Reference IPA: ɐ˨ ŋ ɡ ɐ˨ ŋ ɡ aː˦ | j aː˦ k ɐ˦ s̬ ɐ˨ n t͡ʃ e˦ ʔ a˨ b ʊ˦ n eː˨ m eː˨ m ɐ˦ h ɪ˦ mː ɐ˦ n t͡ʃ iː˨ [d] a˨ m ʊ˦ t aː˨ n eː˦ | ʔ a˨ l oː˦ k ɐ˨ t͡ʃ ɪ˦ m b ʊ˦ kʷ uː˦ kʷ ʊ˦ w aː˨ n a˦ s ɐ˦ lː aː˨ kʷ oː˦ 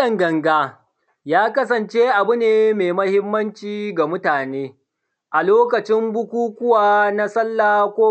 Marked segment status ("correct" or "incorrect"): incorrect